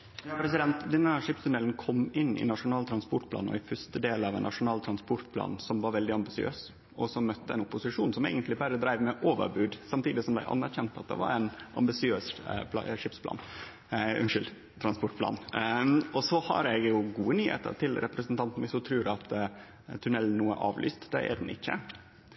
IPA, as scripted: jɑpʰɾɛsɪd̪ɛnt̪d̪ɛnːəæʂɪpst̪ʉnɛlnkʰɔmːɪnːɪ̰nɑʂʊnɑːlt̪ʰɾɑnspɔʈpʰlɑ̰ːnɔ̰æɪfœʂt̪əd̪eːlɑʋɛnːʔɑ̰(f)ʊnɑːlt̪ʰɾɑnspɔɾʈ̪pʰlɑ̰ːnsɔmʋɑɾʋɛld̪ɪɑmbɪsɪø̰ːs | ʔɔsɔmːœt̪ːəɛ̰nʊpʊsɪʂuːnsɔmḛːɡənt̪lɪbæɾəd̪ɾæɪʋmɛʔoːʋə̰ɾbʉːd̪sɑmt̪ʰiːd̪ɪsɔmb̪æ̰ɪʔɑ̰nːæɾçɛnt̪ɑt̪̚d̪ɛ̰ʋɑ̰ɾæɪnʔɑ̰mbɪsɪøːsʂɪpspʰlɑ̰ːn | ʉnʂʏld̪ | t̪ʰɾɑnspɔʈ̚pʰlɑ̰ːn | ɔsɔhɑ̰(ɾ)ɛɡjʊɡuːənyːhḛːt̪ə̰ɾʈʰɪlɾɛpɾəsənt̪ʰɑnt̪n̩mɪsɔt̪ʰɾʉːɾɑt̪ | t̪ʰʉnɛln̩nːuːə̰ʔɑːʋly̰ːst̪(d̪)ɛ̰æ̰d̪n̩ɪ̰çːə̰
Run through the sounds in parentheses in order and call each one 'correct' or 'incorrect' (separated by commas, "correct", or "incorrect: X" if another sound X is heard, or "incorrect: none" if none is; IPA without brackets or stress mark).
incorrect: ʂ, correct, correct